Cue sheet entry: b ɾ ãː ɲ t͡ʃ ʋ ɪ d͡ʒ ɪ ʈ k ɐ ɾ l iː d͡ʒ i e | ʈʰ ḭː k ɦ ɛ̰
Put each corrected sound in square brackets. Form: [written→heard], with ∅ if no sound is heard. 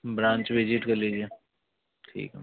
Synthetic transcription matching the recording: b ɾ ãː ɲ t͡ʃ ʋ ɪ d͡ʒ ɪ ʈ k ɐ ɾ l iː d͡ʒ i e | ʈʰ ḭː k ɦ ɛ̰